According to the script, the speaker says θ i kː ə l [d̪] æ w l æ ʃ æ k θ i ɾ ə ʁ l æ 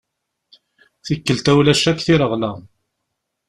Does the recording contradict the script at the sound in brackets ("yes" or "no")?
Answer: yes